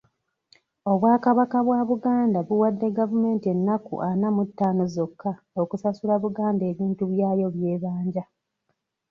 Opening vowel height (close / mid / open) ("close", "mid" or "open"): mid